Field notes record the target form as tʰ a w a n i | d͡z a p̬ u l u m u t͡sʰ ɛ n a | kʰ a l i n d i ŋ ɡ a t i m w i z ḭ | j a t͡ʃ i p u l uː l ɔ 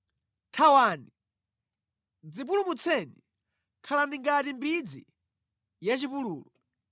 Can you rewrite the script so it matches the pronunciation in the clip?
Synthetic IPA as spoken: tʰ a w a n i | d͡z i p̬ u l u m u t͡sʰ ɛ n i | kʰ a l a n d i ŋ ɡ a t i m b i d͡z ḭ | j a t͡ʃ i p u l uː l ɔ